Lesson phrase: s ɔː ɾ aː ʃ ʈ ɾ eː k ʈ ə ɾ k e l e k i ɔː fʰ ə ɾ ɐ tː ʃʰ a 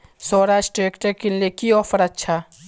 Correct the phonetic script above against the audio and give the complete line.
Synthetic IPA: s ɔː ɾ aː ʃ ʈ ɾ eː k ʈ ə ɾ k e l e k i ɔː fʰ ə ɾ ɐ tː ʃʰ a